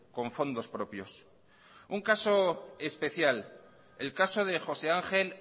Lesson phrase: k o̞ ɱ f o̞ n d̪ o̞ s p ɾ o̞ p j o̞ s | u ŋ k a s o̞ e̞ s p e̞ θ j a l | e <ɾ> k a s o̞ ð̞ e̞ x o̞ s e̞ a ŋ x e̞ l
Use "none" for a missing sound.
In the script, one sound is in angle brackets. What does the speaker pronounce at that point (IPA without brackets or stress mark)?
l